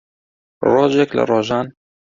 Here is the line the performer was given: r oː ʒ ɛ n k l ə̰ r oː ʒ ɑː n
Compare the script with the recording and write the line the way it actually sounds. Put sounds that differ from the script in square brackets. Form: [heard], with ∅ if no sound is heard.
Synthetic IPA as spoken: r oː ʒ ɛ [∅] k l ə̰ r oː ʒ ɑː n